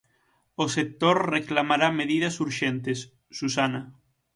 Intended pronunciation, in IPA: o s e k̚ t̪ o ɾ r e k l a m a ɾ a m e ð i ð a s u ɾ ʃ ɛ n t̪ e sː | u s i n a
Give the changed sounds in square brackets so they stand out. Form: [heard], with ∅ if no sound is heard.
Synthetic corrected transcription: o s e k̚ t̪ o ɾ r e k l a m a ɾ a m e ð i ð a s u ɾ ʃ [e] n t̪ e sː | u s [a] n a